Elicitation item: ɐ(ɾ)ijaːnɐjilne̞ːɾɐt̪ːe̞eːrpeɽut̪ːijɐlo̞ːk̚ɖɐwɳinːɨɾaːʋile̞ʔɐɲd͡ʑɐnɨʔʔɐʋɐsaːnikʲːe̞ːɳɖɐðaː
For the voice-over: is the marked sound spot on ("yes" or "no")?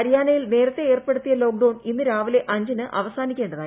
yes